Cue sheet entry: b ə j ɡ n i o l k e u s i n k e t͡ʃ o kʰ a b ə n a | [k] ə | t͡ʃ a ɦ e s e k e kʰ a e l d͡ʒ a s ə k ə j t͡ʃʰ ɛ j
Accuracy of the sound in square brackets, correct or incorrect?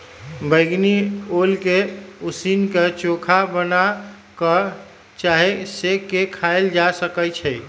correct